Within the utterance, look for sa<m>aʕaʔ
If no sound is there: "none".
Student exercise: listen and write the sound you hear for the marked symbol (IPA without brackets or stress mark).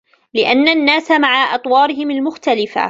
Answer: m